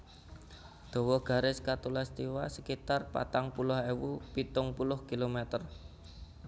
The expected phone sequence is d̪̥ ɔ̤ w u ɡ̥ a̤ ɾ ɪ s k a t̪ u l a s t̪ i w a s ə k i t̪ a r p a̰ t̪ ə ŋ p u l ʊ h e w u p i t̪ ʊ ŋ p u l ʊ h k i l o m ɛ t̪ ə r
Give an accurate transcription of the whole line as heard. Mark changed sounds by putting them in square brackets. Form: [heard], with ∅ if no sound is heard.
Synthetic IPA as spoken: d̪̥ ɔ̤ w [ɔ] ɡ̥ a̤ ɾ ɪ s k a t̪ u l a s t̪ i w a s ə k i t̪ a r p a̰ t̪ [a] ŋ p u l ʊ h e w u p i t̪ ʊ ŋ p u l ʊ h k i l o m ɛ t̪ ə r